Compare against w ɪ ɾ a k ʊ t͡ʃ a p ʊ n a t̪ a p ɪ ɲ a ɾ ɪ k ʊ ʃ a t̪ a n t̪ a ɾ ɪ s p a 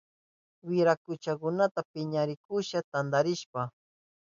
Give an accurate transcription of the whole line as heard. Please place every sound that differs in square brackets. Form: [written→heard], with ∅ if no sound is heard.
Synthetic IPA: w ɪ ɾ a k ʊ t͡ʃ a [p→k] ʊ n a t̪ a p ɪ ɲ a ɾ ɪ k ʊ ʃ a t̪ a n [t̪→d̪] a ɾ ɪ [s→ʃ] p a